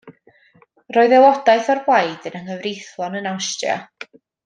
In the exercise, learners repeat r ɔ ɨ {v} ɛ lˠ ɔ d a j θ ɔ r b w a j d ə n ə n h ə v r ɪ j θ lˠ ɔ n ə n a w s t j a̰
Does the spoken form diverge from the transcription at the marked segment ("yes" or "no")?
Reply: yes